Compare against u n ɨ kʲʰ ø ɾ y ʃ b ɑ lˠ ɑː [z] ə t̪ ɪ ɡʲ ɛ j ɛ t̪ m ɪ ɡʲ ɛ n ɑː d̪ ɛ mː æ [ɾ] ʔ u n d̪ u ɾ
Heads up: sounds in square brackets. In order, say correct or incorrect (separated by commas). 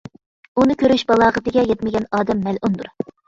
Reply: incorrect, incorrect